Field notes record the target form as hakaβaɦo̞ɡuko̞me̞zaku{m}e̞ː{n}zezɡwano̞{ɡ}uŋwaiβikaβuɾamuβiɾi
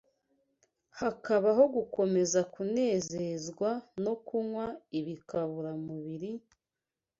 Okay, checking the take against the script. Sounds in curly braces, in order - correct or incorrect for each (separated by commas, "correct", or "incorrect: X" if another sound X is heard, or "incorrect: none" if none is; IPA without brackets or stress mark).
incorrect: n, incorrect: none, incorrect: k